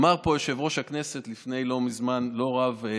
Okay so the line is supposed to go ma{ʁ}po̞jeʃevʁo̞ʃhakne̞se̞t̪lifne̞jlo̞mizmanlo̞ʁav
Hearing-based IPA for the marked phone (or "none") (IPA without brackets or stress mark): ʁ